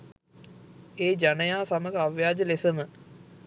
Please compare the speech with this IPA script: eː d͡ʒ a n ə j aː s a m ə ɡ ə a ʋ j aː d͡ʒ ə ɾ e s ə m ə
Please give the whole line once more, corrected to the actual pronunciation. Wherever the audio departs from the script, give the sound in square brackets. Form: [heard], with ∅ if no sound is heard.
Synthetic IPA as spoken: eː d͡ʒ a n ə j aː s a m ə ɡ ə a ʋ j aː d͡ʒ ə [l] e s ə m ə